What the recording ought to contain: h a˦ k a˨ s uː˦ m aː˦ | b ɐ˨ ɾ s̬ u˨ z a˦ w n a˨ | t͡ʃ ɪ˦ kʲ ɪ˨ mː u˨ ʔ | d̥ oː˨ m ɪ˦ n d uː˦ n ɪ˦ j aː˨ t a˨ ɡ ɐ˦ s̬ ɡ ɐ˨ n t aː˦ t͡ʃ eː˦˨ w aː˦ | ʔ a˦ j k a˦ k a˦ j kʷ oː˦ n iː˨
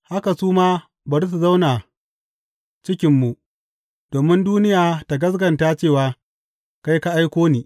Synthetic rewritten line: h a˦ k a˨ s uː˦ m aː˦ | b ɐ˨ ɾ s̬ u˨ z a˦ w n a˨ | t͡ʃ ɪ˦ kʲ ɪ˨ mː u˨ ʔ | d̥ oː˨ m ɪ˦ n d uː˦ n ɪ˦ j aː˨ t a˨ ɡ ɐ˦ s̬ ɡ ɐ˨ n t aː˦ t͡ʃ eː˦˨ w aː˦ | k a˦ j k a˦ ʔ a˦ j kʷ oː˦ n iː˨

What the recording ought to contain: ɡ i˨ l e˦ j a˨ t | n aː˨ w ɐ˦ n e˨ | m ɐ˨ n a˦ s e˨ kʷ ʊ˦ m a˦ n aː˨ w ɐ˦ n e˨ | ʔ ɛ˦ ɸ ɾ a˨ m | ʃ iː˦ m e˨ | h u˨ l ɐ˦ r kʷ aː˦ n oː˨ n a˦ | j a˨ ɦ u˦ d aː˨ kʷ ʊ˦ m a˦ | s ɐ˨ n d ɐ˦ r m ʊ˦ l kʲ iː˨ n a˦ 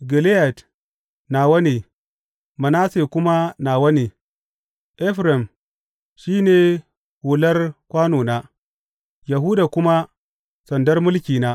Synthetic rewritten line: ɡ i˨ l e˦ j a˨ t | n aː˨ w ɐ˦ n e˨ | m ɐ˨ n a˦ s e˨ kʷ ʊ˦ m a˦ n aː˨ w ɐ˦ n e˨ | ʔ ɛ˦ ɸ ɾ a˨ m | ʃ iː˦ n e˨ | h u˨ l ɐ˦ r kʷ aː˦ n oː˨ n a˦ | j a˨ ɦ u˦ d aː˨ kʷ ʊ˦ m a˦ | s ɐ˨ n d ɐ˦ r m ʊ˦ l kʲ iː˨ n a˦

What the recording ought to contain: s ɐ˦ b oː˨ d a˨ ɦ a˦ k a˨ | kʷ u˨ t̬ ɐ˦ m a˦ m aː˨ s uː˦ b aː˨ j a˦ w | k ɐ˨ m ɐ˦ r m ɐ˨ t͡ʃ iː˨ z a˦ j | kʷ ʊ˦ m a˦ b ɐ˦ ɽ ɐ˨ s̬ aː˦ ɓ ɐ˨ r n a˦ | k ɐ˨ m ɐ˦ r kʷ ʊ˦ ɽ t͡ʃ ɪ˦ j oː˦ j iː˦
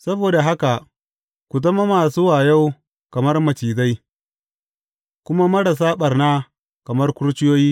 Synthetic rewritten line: s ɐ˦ b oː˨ d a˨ ɦ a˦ k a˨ | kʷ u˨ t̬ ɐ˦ m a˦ m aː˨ s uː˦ w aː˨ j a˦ w | k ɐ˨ m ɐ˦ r m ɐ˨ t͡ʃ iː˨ z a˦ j | kʷ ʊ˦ m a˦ m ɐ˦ ɽ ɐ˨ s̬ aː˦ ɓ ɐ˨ r n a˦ | k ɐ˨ m ɐ˦ r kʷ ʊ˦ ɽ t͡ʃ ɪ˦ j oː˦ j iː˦

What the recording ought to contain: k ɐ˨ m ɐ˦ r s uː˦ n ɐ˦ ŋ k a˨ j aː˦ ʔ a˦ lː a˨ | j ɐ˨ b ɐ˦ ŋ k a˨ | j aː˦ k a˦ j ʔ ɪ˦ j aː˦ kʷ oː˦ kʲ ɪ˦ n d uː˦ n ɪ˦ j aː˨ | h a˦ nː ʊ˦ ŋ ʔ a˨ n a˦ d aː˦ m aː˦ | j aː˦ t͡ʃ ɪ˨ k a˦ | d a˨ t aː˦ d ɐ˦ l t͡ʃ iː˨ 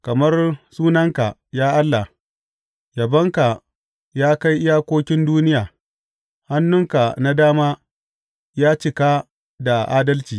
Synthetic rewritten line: k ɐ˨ m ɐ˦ r s uː˦ n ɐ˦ ŋ k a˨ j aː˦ ʔ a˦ lː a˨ | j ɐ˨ b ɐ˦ ŋ k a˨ | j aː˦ k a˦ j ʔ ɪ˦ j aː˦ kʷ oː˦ kʲ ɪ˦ n d uː˦ n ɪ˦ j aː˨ | h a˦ nː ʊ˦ ŋ k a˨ n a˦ d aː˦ m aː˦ | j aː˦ t͡ʃ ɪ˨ k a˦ | d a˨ ʔ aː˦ d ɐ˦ l t͡ʃ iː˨

